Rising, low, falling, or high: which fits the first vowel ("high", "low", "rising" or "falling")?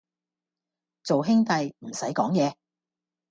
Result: low